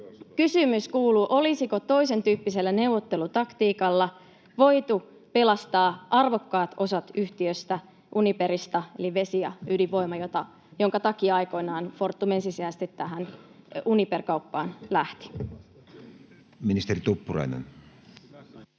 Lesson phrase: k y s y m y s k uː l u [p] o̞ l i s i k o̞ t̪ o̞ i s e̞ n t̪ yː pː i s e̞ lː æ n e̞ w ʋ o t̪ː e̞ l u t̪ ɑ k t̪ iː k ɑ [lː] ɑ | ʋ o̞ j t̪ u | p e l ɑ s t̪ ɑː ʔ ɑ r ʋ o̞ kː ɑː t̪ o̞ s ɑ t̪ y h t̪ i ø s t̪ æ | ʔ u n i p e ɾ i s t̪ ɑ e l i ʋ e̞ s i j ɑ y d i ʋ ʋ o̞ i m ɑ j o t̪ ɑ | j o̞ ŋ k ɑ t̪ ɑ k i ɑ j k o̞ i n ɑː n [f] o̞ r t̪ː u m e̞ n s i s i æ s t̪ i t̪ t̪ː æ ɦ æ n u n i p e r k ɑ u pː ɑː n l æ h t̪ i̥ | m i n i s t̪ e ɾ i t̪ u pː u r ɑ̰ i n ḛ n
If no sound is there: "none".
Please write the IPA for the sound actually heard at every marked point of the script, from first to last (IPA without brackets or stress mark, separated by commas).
ʔ, lː, f